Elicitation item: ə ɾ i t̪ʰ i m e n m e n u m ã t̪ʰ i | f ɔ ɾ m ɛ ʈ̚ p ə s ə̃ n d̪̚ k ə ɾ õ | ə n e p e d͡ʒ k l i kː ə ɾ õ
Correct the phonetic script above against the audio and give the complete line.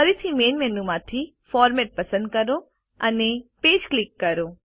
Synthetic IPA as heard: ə ɾ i t̪ʰ i m e n m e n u m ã t̪ʰ i | f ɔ ɾ m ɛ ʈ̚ p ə s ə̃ n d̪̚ k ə ɾ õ | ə n e p e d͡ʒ k l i kː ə ɾ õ